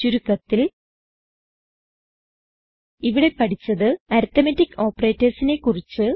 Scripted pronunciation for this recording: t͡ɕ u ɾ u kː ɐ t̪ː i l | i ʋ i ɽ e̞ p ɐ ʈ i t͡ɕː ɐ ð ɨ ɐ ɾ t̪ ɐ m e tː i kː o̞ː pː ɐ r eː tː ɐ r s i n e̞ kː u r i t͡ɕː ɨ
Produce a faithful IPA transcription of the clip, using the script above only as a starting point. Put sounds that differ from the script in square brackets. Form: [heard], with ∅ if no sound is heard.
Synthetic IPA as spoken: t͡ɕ u ɾ u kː ɐ t̪ː i l | i ʋ i ɽ e̞ p ɐ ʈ i t͡ɕː ɐ ð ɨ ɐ ɾ t̪ ɐ m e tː i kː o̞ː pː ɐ r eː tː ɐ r s i n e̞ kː u r i t͡ɕː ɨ

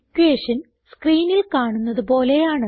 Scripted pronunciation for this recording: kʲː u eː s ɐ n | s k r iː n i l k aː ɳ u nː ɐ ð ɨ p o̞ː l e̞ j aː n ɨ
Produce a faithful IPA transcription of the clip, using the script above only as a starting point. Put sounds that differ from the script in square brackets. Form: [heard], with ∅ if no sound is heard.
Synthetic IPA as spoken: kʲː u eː [ʂ] ɐ n | s k r iː n i l k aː ɳ u nː ɐ ð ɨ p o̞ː l e̞ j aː [ɳ] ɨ

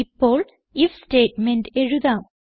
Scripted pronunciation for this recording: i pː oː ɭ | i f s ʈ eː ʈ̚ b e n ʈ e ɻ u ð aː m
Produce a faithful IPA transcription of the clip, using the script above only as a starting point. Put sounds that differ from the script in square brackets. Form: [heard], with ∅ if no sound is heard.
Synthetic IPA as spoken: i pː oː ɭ | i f s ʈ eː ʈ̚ [m] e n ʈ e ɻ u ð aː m

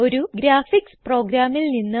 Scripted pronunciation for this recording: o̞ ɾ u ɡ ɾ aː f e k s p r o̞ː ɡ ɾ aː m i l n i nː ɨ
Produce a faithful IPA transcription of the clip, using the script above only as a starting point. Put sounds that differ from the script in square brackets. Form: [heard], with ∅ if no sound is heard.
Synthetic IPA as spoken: o̞ ɾ u ɡ ɾ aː f [i] k s p r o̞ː ɡ ɾ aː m i l n i nː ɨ

